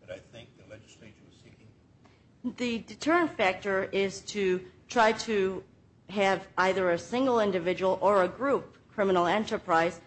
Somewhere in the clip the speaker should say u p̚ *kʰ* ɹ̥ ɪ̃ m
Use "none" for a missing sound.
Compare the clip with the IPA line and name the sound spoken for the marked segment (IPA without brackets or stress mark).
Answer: kʰ